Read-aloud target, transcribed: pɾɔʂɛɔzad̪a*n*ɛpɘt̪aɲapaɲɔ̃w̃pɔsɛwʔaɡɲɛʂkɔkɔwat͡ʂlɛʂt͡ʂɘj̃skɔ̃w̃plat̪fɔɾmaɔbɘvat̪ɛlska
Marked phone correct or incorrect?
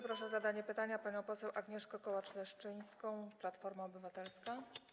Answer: incorrect